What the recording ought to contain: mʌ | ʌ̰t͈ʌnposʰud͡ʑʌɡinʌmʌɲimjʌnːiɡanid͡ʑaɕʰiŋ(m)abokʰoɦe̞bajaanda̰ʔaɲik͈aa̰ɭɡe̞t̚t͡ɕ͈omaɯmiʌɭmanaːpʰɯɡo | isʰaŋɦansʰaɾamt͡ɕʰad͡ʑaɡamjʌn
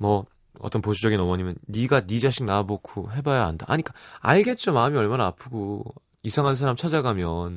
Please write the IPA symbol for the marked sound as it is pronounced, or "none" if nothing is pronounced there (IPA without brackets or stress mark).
n